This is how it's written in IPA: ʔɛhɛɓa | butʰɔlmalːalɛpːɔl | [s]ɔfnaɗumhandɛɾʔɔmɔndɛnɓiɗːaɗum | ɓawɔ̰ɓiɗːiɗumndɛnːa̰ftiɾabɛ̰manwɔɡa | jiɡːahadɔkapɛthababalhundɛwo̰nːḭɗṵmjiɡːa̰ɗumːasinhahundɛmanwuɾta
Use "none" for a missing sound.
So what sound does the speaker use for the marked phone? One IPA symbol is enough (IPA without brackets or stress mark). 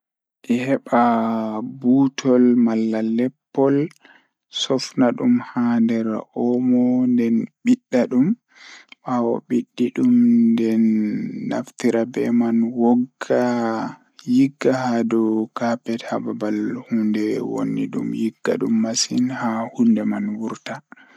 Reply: s